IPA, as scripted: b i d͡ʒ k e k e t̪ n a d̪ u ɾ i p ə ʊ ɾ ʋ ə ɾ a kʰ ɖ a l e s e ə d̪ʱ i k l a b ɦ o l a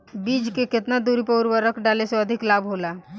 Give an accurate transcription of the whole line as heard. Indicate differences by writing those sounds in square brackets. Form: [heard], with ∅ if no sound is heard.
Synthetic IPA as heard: b i d͡ʒ k e k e t̪ n a d̪ u ɾ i p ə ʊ ɾ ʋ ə ɾ [ə] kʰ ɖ a l e s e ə d̪ʱ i k l a b ɦ o l a